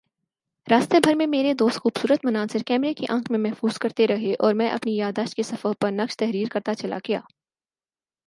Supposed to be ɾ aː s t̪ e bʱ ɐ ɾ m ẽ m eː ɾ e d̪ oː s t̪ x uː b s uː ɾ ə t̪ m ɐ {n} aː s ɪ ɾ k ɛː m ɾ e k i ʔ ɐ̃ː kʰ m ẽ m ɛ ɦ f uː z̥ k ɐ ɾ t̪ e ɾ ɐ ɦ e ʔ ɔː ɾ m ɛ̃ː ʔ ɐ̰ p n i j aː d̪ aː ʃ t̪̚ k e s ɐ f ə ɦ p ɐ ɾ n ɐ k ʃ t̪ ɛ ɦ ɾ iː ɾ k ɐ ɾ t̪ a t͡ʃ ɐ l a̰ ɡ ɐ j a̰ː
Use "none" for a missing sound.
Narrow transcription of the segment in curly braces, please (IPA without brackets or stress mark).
n